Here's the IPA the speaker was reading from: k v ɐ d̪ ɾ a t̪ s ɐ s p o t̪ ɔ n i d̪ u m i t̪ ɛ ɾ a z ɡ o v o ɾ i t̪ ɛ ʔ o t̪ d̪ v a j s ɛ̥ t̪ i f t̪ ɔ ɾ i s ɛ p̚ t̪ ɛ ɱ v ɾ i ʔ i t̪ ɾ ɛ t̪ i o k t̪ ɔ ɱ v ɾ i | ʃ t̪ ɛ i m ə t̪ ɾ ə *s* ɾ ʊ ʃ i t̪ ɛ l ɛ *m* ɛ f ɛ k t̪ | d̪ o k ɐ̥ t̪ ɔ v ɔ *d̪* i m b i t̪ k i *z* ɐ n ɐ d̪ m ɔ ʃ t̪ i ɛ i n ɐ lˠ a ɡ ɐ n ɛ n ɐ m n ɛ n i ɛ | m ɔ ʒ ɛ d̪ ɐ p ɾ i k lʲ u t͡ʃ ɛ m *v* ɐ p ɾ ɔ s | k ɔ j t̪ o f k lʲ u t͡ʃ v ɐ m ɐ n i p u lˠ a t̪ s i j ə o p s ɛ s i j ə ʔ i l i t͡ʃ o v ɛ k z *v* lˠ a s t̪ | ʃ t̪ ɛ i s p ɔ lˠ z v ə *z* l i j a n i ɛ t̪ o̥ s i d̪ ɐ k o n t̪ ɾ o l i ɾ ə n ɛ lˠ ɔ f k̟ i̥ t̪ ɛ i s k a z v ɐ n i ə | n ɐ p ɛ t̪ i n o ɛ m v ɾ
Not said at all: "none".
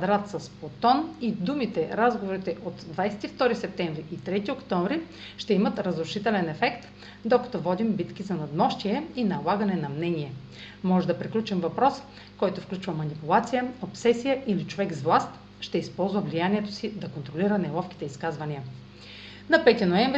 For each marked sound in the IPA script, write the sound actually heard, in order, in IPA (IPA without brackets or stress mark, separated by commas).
z, n, d̪, z, v, v, v